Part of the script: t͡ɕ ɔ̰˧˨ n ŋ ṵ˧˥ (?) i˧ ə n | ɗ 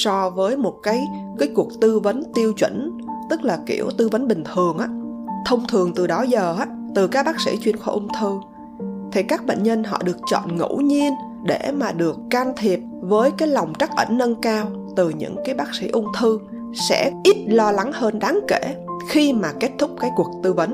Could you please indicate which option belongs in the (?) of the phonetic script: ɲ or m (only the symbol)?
ɲ